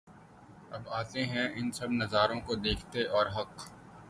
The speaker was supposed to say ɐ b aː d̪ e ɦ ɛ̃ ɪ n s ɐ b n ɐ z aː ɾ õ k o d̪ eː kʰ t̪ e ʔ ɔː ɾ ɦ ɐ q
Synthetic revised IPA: ɐ b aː t̪ e ɦ ɛ̃ ɪ n s ɐ b n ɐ z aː ɾ õ k o d̪ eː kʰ t̪ e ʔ ɔː ɾ ɦ ɐ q